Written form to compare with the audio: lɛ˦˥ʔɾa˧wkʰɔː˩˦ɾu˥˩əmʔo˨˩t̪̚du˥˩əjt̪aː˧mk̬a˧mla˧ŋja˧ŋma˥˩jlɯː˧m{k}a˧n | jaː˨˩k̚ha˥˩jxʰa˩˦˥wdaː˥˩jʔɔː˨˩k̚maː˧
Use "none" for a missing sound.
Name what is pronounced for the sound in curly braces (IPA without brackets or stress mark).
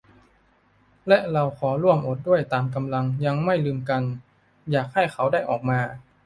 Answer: k